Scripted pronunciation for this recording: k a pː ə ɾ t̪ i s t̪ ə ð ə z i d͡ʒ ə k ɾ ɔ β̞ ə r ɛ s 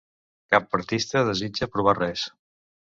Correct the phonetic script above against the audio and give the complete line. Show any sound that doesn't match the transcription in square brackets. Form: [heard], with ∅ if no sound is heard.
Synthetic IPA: k a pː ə ɾ t̪ i s t̪ ə ð ə z i d͡ʒ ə [p] ɾ [u] β̞ [a] r ɛ s